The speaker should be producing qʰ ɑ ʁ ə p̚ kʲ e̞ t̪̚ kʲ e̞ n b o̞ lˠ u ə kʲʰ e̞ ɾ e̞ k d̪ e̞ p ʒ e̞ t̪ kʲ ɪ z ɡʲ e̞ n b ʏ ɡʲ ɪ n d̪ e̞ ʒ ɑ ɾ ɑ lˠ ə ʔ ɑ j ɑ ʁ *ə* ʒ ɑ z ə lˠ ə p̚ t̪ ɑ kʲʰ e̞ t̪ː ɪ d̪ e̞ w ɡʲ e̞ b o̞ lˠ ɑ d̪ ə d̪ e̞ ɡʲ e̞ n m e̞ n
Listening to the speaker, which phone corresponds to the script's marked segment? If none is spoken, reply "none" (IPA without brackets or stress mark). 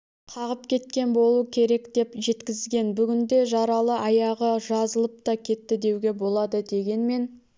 ə